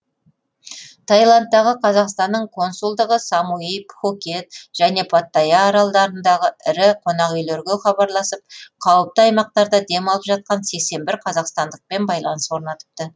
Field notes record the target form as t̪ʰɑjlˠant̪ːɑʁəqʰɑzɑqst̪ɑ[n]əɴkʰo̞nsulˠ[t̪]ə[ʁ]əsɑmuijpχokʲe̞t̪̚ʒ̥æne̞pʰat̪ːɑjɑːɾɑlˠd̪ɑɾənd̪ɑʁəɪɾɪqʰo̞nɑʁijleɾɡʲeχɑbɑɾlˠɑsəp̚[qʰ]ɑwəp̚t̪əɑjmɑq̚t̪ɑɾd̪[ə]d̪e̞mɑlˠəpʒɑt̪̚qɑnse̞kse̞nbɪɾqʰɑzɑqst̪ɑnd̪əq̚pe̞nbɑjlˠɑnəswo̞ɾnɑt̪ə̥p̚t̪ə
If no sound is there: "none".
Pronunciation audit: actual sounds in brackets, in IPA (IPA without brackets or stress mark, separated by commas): nː, d̪, ʁ, qʰ, ɑ